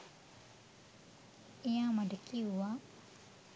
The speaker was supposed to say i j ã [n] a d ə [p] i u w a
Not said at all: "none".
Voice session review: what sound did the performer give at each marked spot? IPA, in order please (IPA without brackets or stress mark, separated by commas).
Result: m, k